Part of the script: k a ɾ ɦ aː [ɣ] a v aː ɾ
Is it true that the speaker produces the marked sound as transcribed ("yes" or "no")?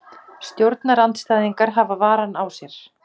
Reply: no